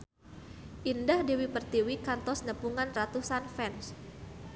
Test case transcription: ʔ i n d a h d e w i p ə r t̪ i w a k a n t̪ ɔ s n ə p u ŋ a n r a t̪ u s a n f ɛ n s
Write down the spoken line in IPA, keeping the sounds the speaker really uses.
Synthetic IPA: ʔ i n d a h d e w i p ə r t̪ i w i k a n t̪ ɔ s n ə p u ŋ a n r a t̪ u s a n f ɛ n s